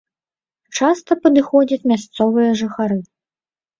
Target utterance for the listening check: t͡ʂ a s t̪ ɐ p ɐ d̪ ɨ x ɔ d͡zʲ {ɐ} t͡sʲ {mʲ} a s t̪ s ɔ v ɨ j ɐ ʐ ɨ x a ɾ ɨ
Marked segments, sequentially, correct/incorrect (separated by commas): correct, correct